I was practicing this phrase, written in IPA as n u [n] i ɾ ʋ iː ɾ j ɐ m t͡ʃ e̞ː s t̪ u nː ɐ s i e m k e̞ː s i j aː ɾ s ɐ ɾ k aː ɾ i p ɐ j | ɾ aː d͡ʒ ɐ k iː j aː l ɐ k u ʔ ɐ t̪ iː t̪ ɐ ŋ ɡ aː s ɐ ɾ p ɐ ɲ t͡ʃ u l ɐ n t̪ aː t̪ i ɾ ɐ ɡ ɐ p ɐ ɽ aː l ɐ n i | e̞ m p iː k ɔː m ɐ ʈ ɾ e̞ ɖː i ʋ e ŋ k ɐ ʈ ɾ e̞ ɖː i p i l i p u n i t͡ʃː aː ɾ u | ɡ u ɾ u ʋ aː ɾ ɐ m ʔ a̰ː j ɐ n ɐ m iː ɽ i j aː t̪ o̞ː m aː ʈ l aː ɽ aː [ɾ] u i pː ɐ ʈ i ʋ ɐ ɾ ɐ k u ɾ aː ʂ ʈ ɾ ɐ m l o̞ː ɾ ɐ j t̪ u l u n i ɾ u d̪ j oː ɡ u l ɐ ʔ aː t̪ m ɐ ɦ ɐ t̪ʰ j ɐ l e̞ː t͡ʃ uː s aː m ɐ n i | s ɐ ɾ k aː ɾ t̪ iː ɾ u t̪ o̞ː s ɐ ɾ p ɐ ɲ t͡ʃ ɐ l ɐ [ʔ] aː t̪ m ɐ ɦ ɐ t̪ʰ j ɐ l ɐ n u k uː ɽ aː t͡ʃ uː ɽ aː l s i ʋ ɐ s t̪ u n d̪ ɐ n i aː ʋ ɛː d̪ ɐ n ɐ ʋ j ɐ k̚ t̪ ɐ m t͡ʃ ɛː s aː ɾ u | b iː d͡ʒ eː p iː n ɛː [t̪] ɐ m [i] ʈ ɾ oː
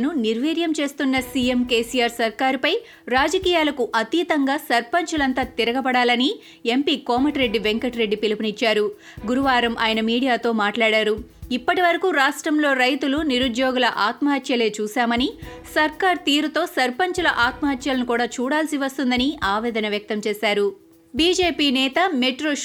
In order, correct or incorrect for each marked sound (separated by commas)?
correct, correct, correct, correct, incorrect